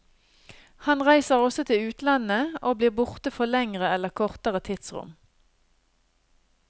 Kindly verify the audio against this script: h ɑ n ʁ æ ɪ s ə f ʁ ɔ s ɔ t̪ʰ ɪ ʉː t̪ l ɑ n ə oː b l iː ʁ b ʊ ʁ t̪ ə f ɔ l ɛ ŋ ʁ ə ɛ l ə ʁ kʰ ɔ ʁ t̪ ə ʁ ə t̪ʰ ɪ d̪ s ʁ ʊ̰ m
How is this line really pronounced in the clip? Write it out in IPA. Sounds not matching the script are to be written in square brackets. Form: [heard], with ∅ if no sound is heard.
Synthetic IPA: h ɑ n ʁ æ ɪ s ə [∅] ʁ ɔ s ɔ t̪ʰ ɪ ʉː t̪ l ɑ n ə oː b l iː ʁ b ʊ ʁ t̪ ə f ɔ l ɛ ŋ ʁ ə ɛ l ə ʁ kʰ ɔ ʁ t̪ ə ʁ ə t̪ʰ ɪ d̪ s ʁ ʊ̰ m